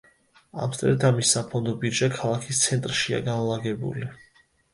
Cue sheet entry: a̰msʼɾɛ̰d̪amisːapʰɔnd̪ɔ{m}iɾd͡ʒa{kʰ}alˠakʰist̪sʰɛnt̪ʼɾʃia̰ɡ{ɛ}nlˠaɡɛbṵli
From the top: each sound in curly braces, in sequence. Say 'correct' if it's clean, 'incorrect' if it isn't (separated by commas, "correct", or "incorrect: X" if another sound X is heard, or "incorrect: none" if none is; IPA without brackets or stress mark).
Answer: incorrect: b, correct, incorrect: a